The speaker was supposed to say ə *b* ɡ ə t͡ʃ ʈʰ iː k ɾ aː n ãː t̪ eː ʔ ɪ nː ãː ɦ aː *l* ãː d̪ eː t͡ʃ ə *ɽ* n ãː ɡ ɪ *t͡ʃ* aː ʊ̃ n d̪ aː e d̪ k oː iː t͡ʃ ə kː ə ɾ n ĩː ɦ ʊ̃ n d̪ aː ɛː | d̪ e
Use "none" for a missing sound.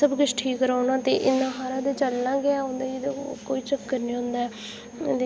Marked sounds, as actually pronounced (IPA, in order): b, ɾ, l, none

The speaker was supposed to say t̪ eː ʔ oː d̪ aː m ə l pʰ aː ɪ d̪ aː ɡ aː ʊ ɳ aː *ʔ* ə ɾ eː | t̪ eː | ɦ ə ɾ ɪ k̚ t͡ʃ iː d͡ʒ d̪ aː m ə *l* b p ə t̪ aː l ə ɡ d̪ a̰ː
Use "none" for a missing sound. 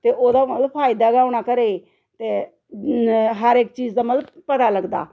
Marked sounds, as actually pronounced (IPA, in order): k, l

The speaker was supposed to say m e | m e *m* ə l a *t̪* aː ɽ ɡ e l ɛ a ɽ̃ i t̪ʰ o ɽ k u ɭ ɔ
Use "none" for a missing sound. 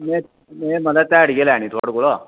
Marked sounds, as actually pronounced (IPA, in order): m, t̪

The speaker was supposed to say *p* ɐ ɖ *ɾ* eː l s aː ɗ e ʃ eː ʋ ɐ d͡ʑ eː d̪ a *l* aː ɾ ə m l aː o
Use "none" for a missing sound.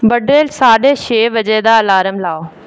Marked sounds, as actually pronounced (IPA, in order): b, ɾ, l

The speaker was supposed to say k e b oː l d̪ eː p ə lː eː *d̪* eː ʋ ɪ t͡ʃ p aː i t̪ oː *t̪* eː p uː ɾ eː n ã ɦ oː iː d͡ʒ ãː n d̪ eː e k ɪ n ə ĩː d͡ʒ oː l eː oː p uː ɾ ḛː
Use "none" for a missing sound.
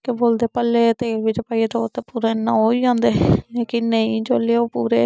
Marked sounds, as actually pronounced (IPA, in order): t̪, t̪

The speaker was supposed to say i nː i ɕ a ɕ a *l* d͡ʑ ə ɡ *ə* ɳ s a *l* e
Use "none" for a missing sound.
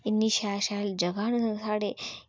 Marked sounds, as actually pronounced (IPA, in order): l, a, ɽ

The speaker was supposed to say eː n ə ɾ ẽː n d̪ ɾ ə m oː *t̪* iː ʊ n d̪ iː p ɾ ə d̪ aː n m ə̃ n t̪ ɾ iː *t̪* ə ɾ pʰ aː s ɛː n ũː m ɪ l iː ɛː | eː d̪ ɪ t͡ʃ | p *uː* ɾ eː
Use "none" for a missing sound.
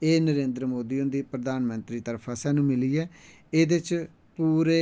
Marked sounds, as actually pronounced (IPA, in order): d̪, t̪, uː

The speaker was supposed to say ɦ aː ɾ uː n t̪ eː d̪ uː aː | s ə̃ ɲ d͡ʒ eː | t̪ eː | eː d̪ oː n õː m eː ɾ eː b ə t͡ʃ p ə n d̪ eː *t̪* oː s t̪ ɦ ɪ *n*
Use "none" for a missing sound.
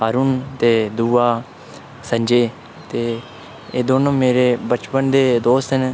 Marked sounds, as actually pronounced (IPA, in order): d̪, n

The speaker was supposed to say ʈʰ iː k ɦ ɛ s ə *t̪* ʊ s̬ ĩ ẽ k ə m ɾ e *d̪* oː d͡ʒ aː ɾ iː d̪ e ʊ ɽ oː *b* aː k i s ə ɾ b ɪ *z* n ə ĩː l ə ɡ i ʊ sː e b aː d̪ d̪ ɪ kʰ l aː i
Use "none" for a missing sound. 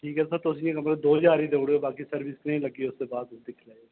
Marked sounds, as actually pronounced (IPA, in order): t̪, d̪, b, s

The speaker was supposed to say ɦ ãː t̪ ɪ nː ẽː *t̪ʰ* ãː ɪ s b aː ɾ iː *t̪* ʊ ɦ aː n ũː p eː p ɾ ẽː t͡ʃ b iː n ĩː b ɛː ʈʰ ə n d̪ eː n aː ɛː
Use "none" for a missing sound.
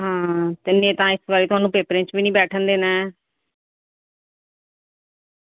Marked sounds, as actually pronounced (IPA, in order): t̪, t̪

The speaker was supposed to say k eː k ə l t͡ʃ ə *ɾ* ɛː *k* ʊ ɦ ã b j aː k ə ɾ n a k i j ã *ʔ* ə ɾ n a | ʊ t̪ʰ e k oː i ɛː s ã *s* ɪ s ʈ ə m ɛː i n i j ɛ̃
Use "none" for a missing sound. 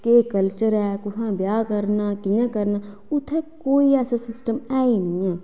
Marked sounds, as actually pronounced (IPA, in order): ɾ, k, k, s

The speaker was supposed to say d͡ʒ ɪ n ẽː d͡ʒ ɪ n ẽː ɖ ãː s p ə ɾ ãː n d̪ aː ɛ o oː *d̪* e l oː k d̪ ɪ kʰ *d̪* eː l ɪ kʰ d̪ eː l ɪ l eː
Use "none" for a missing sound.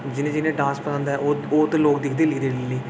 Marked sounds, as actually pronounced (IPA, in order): t̪, d̪

